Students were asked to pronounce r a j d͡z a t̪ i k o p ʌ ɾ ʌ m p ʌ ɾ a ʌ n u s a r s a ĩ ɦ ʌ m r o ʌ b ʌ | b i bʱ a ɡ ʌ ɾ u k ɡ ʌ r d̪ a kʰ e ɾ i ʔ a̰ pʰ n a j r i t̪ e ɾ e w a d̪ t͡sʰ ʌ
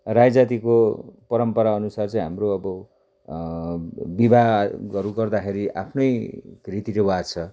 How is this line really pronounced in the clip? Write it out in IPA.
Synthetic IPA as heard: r a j d͡z a t̪ i k o p ʌ ɾ ʌ m p ʌ ɾ a ʌ n u s a r t͡s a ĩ ɦ a m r o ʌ b ʌ | b i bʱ a ɡ ʌ ɾ u ɡ ʌ r d̪ a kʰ e ɾ i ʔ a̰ pʰ n ʌ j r i t̪ i ɾ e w a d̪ t͡sʰ ʌ